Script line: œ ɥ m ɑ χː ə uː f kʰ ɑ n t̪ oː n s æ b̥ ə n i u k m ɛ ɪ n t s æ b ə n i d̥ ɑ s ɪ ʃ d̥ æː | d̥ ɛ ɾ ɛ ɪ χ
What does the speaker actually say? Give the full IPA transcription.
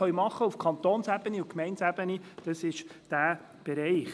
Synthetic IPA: œ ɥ m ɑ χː ə u f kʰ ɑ n t̪ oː n s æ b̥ ə n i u k m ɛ ɪ n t s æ b ə n i d̥ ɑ s ɪ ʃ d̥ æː | b̥ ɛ ɾ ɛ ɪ χ